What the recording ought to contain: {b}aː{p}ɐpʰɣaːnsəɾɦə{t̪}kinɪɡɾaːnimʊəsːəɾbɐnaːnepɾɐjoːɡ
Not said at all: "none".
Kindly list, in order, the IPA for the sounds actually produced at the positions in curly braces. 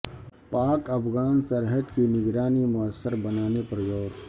p, k, d̪

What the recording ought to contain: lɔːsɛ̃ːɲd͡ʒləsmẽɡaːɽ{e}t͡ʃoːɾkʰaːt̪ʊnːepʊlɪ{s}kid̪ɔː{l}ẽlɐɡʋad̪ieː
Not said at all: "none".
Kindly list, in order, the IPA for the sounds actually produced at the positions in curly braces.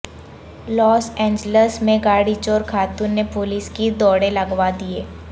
i, s, ɽ

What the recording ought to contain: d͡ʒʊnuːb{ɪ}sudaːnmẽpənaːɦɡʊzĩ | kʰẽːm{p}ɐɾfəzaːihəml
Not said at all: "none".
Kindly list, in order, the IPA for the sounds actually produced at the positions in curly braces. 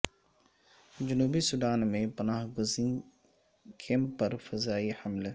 i, p

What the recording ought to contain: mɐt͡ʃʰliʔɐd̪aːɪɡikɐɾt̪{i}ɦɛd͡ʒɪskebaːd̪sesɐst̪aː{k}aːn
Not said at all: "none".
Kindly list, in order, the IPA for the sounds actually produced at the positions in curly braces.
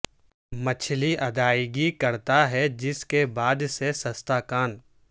a, k

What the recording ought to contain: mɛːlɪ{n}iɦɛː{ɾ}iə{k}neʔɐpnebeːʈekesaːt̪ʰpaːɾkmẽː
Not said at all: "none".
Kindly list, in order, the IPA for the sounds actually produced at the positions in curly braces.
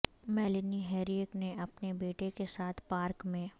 n, ɾ, k

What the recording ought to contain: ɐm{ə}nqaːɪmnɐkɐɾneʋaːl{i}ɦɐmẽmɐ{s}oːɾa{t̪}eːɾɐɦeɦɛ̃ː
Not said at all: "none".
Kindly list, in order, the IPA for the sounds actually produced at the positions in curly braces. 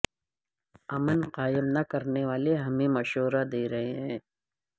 ə, e, ʃ, d̪

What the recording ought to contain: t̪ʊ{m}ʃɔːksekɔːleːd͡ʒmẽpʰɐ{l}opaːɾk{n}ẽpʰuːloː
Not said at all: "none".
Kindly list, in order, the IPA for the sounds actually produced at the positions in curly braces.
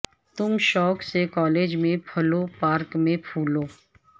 m, l, m

